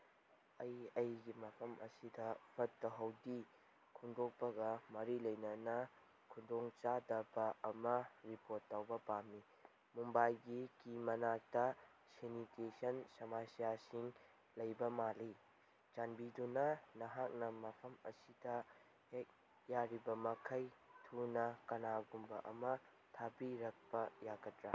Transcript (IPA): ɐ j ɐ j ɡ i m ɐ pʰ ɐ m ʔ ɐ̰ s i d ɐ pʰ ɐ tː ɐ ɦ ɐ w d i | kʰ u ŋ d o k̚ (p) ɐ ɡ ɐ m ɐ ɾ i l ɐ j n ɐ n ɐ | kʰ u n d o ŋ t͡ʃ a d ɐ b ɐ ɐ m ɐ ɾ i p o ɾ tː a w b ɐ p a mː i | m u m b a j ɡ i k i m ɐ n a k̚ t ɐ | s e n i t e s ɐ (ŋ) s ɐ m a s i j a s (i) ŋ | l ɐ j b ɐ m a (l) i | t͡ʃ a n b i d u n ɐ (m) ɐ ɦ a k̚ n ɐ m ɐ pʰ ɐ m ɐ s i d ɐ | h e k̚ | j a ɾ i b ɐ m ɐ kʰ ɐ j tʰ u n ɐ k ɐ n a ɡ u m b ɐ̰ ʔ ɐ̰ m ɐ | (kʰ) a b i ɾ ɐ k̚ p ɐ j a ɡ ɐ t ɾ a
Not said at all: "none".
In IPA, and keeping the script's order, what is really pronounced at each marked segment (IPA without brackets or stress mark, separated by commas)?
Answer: p, n, i, l, n, tʰ